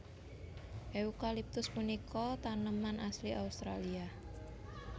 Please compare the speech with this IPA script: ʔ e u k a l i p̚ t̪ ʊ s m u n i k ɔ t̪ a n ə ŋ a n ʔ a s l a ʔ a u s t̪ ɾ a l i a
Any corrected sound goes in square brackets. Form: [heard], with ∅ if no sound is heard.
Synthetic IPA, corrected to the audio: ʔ e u k a l i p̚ t̪ ʊ s m u n i k ɔ t̪ a n ə [m] a n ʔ a s l [i] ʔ a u s t̪ ɾ a l i a